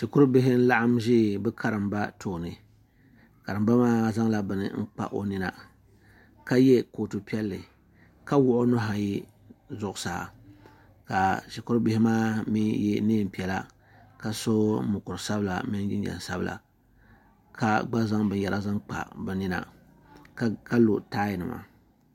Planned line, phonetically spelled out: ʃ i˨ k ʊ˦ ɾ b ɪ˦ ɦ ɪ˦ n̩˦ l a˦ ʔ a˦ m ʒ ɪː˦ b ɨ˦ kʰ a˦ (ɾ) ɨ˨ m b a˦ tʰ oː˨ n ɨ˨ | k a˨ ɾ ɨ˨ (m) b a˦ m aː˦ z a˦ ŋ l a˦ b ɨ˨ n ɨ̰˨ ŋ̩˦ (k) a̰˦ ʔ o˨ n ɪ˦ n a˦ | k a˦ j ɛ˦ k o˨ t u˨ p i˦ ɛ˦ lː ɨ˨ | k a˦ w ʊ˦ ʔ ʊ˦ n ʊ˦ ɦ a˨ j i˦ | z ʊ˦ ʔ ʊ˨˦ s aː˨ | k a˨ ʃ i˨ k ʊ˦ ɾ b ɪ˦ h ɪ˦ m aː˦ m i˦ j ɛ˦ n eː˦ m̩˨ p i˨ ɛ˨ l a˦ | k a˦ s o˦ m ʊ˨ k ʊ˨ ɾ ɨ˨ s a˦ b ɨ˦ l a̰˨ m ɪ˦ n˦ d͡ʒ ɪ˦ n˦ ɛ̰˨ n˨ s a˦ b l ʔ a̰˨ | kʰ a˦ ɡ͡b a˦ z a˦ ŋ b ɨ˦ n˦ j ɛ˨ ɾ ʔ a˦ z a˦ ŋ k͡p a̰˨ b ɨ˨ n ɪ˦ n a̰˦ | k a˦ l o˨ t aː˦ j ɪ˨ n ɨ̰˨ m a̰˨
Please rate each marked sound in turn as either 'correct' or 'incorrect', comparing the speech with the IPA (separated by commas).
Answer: correct, correct, incorrect